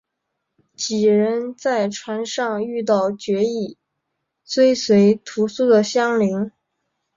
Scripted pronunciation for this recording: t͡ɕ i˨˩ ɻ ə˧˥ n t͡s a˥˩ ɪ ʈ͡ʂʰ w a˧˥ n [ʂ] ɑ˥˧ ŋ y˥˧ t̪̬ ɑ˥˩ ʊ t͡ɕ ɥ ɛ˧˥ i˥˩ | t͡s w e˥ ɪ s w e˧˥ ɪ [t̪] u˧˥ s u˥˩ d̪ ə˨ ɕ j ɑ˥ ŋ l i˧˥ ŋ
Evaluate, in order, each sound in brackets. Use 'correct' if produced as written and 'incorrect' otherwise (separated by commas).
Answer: correct, incorrect